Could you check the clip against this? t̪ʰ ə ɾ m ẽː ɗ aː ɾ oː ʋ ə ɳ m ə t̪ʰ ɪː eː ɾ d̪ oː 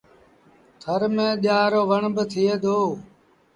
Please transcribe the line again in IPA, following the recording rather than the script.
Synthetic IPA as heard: t̪ʰ ə ɾ m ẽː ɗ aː ɾ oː ʋ ə ɳ b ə t̪ʰ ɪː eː d̪ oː